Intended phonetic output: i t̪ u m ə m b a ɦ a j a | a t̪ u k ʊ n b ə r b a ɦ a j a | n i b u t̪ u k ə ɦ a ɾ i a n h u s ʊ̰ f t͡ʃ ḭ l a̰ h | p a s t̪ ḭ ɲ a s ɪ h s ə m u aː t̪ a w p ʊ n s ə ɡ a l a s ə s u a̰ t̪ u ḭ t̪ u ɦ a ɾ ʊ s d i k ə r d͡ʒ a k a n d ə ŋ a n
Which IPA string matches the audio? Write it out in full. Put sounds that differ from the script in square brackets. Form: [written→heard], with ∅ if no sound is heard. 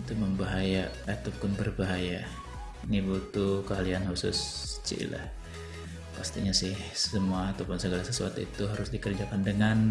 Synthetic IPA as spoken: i t̪ u m ə m b a ɦ a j a | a t̪ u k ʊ n b ə r b a ɦ a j a | n i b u t̪ u k ə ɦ a [ɾ→l] i a n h u s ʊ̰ [f→s] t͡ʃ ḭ l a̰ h | p a s t̪ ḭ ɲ a s ɪ h s ə m u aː t̪ a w p ʊ n s ə ɡ a l a s ə s u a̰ t̪ u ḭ t̪ u ɦ a ɾ ʊ s d i k ə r d͡ʒ a k a n d ə ŋ a n